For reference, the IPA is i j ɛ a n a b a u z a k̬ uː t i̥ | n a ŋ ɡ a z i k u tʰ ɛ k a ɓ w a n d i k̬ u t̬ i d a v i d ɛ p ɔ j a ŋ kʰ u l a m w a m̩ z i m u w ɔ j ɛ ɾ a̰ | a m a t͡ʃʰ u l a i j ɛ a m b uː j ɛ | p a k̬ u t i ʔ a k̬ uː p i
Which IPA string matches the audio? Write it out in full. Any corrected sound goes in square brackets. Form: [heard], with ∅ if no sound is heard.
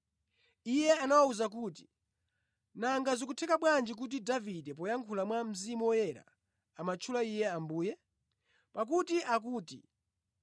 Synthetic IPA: i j ɛ a n a [w] a u z a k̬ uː t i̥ | n a ŋ ɡ a z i k u tʰ ɛ k a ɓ w a n [d͡ʒ] i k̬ u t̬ i d a v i d ɛ p ɔ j a ŋ kʰ u l a m w a m̩ z i m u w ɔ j ɛ ɾ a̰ | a m a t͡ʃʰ u l a i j ɛ a m b uː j ɛ | p a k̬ u t i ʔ a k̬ uː [t] i